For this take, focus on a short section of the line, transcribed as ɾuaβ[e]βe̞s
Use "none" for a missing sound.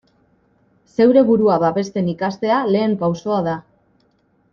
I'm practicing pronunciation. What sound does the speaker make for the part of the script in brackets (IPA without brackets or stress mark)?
a